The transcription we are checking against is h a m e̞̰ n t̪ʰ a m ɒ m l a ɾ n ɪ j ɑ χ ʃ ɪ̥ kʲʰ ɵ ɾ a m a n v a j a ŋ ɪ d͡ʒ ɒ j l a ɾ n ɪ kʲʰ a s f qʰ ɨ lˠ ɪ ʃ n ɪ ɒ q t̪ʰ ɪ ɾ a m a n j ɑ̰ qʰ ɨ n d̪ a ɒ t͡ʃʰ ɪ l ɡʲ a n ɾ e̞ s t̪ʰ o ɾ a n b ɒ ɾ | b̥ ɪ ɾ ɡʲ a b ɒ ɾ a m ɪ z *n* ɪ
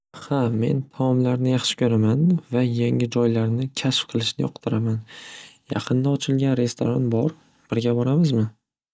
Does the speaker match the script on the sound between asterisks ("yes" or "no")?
no